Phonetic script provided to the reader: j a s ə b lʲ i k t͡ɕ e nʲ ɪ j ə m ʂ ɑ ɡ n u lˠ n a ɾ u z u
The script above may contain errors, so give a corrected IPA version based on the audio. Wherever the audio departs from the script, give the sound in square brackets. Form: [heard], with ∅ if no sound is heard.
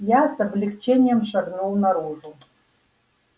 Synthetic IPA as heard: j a s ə b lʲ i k t͡ɕ e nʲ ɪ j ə m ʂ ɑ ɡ n u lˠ n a ɾ u [ʐ] u